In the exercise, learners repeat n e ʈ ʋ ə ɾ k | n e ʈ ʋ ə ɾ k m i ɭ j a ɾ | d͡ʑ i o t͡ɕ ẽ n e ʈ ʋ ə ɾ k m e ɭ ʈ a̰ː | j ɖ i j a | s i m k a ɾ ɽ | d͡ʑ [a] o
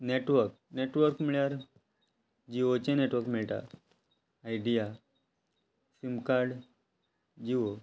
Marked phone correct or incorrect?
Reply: incorrect